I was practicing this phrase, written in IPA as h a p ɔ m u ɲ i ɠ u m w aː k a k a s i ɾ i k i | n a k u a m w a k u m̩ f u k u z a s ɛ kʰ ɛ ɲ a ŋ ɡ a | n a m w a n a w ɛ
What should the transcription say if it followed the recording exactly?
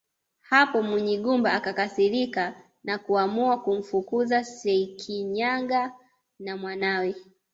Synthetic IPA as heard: h a p ɔ m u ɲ i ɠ u m b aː k a k a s i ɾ i k a | n a k u a m u a k u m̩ f u k u z a s ɛ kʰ i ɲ a ŋ ɡ a | n a m w a n a w ɛ